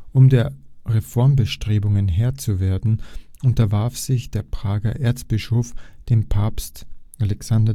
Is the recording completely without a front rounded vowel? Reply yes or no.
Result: yes